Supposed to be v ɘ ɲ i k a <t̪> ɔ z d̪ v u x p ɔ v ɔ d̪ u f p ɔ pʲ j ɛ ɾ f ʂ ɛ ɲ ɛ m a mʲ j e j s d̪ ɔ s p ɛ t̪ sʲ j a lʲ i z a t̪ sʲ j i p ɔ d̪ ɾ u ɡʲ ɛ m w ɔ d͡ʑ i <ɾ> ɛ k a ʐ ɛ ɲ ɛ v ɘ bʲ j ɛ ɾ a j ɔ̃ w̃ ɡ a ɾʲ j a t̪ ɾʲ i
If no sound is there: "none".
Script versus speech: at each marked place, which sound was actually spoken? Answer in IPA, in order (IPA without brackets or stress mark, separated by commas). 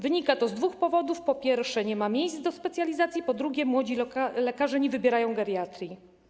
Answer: t̪, l